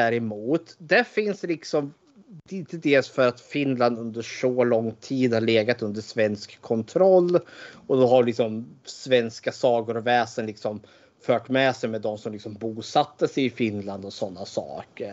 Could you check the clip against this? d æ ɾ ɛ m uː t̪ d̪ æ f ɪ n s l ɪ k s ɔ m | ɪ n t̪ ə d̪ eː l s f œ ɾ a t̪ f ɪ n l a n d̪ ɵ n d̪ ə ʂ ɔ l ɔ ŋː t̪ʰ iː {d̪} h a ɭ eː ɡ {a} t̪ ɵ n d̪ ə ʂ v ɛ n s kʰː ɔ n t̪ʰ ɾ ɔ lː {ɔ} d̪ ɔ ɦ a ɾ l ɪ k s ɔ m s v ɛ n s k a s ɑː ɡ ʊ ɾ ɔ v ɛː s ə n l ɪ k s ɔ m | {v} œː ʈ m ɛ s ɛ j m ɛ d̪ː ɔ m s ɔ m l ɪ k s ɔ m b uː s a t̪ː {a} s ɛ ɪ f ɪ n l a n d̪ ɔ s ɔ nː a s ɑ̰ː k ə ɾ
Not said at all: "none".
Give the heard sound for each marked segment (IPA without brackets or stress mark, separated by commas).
d̪, a, ɔ, f, ə